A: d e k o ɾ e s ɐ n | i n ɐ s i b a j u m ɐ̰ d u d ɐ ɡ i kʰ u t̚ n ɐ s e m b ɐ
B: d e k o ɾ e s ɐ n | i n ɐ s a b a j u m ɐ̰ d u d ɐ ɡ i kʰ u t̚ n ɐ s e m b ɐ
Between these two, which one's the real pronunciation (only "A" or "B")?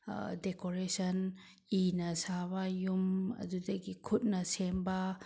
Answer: B